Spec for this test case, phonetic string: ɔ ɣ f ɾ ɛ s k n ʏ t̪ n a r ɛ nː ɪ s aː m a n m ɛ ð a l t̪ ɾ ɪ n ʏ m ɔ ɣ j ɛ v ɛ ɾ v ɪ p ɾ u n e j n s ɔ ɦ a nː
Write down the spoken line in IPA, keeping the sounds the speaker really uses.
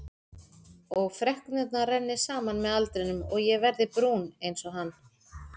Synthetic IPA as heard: ɔ ɣ f ɾ ɛ h k n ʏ t̪ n a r ɛ nː ɪ s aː m a n m ɛ ð a l t̪ ɾ ɪ n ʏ m ɔ ɣ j ɛ v ɛ ɾ ð ɪ p ɾ u n e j n s ɔ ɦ a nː